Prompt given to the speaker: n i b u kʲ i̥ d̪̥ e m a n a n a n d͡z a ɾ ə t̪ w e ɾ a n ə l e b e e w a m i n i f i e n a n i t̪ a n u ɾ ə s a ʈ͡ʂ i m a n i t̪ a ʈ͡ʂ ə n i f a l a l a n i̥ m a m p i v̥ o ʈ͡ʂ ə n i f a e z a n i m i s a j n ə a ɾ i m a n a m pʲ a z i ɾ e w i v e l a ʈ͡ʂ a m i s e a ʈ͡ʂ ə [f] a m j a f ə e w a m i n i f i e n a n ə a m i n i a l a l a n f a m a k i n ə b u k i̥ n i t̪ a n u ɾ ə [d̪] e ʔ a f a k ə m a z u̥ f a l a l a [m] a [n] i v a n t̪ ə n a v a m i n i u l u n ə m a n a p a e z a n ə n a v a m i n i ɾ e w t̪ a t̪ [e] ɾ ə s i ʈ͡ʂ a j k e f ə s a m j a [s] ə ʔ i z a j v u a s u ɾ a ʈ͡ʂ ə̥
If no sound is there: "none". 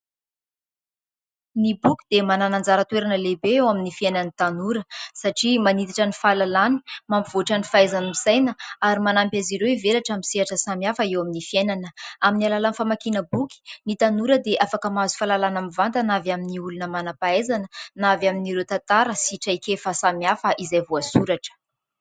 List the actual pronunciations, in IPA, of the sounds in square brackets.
s, d̪, n, m, a, f

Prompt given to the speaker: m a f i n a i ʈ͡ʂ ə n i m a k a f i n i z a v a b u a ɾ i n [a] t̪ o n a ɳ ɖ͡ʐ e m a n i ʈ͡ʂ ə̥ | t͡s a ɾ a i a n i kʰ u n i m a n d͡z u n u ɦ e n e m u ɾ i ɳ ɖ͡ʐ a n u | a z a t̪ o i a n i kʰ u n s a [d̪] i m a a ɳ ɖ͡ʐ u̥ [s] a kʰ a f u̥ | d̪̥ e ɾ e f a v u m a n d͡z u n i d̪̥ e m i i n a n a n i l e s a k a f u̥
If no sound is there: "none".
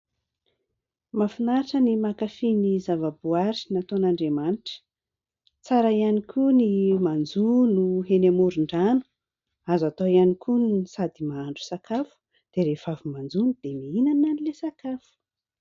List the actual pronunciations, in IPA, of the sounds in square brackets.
a, d̪, s

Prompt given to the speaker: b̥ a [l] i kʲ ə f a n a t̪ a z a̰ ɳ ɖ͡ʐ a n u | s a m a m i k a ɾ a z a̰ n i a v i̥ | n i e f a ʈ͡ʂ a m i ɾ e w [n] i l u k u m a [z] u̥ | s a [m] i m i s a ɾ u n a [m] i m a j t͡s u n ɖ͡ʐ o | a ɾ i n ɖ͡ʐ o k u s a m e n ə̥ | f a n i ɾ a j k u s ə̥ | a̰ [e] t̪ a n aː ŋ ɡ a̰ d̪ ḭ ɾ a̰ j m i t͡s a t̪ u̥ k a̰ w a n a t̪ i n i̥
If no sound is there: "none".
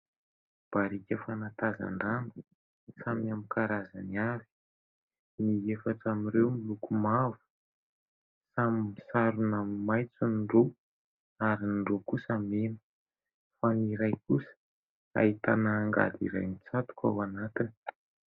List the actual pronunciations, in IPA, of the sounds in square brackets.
ɾ, m, v, m, m, i

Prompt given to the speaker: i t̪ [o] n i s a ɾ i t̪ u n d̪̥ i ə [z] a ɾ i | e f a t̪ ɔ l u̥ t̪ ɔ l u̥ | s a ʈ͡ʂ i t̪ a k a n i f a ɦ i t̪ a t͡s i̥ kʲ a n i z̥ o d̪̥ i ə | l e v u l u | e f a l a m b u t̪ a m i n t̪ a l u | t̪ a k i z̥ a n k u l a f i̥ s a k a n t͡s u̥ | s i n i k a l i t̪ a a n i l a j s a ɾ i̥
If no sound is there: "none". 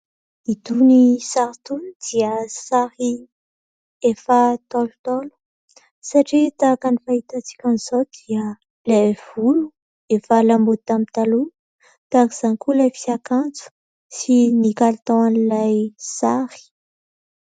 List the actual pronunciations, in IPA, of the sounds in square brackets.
u, s

